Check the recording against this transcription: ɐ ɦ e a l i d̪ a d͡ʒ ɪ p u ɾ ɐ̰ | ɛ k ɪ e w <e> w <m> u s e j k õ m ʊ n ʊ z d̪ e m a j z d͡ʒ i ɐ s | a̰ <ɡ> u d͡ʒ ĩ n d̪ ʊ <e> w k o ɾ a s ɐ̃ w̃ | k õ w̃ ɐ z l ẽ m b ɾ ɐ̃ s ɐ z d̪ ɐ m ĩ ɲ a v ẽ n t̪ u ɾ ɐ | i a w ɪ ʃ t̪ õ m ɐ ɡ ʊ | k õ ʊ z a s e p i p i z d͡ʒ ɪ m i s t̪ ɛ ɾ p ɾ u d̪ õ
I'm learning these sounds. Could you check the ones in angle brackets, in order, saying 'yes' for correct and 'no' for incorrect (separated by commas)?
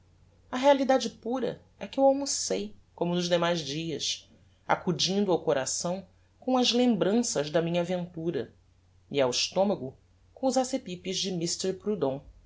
no, yes, no, no